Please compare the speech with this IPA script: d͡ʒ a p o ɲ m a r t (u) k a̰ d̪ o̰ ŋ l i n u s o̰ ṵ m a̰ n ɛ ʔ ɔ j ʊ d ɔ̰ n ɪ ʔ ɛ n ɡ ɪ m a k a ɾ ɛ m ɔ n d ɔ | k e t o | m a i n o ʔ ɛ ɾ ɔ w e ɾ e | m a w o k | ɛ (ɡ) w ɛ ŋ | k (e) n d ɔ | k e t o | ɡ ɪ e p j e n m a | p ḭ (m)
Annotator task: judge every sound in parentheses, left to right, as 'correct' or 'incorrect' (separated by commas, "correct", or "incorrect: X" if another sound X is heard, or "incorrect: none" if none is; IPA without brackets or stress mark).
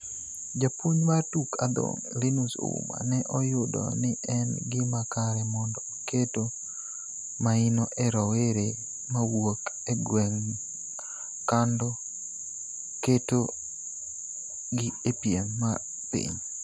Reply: correct, correct, incorrect: a, incorrect: ɲ